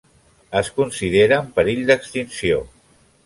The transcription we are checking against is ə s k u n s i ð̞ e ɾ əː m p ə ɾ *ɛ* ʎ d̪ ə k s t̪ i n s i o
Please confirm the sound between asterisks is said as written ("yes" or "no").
no